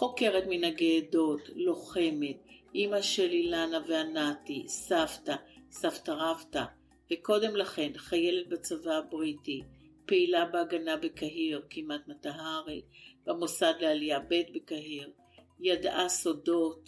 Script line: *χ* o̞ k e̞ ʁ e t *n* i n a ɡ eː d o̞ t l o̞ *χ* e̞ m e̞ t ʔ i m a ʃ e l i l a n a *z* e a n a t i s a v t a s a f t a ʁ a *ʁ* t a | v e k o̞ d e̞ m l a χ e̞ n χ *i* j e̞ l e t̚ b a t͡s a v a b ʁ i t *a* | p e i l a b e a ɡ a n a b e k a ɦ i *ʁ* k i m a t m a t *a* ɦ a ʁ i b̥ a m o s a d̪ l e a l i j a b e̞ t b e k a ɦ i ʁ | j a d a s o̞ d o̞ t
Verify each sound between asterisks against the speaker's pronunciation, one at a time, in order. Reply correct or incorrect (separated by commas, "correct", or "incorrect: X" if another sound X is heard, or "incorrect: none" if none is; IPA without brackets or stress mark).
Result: correct, incorrect: m, correct, incorrect: v, incorrect: v, incorrect: a, incorrect: i, correct, correct